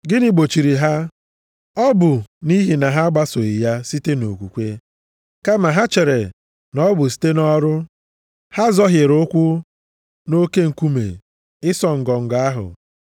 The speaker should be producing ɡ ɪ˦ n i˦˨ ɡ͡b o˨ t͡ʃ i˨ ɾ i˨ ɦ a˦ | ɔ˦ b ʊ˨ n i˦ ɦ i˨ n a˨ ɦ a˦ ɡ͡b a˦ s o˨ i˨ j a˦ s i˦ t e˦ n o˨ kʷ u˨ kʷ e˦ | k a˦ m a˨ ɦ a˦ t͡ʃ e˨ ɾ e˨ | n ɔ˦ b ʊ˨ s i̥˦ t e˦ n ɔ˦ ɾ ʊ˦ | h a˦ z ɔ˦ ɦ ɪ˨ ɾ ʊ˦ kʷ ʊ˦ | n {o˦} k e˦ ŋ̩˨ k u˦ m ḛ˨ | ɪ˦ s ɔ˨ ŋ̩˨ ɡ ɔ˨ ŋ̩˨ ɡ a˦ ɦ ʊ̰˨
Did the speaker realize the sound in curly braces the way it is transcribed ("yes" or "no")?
yes